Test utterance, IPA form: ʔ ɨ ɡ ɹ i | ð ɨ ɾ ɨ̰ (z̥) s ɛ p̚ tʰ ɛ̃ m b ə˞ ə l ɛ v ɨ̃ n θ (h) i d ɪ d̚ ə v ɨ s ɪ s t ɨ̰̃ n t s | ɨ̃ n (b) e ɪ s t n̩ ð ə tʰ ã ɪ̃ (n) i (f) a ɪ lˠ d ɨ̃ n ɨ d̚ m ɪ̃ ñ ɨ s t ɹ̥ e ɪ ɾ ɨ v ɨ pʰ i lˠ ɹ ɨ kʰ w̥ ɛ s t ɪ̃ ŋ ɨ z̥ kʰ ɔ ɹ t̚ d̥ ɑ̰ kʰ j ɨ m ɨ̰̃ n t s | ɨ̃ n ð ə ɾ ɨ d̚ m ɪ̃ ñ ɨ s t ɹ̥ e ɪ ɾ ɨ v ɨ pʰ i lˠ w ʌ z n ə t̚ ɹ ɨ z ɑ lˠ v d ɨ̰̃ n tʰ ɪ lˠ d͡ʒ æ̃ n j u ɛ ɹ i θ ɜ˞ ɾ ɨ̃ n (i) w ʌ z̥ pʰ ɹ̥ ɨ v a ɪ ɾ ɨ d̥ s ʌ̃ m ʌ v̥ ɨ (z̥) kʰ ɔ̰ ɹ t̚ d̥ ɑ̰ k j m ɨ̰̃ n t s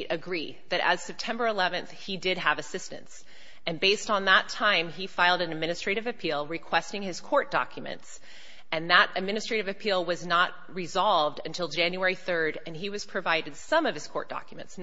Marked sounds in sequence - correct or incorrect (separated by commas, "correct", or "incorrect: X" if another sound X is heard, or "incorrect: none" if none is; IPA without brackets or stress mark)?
correct, correct, correct, incorrect: m, correct, correct, correct